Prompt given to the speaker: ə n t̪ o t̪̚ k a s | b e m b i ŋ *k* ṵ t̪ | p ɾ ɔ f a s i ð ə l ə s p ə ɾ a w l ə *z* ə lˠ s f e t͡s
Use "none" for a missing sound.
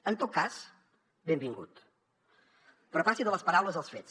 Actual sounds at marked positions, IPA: ɡ, z

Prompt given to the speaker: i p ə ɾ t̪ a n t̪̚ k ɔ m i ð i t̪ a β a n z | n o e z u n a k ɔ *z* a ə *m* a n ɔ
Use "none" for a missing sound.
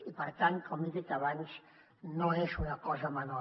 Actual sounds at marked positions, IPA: z, m

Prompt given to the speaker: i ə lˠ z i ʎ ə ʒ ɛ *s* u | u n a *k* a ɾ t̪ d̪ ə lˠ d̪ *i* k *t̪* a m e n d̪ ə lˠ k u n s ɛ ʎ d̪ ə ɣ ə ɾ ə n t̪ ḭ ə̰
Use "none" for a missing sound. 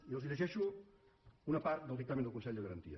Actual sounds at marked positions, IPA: ʃ, p, i, t̪

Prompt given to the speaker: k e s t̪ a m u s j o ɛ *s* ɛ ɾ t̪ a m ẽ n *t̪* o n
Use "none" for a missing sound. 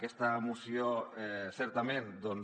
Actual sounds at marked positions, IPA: s, d̪

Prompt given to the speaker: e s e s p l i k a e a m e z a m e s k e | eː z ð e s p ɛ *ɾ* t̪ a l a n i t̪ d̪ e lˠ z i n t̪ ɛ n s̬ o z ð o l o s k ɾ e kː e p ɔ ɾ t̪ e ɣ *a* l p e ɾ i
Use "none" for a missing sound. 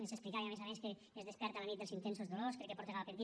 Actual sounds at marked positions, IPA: ɾ, a

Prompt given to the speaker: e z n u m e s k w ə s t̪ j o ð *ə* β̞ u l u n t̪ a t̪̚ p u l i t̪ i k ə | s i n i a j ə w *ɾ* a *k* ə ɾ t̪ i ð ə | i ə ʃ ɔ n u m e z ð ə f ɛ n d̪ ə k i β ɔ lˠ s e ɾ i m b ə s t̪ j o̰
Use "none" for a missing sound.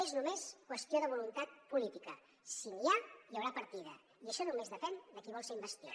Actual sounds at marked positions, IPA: ə, ɾ, p

